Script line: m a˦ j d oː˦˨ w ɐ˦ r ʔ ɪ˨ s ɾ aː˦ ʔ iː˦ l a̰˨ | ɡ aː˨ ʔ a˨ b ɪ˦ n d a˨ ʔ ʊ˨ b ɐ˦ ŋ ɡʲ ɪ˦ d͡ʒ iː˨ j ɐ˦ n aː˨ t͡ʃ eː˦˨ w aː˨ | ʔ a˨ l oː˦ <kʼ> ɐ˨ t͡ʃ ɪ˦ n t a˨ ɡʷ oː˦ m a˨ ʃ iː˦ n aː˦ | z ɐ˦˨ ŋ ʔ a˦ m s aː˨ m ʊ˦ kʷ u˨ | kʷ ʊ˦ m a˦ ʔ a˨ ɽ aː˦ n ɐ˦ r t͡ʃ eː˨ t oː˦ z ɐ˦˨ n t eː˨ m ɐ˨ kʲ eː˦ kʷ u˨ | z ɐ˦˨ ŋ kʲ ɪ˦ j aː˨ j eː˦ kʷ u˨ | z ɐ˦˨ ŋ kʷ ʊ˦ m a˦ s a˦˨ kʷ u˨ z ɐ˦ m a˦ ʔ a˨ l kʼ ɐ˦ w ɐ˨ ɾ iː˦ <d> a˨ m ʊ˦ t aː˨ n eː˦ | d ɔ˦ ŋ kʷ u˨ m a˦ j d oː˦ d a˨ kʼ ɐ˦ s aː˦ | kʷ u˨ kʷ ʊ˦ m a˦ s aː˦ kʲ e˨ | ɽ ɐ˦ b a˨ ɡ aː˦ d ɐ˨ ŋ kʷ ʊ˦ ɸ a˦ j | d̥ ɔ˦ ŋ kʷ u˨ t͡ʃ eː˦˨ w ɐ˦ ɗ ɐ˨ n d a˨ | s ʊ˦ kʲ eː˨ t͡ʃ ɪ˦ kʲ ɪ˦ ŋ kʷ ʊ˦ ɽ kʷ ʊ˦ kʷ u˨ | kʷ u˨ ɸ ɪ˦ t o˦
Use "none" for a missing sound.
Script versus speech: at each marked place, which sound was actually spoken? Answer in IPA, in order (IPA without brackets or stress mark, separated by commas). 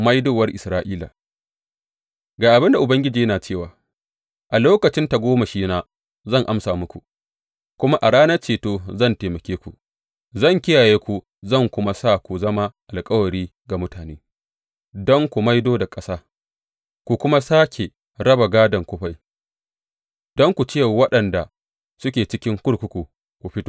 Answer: k, ɡ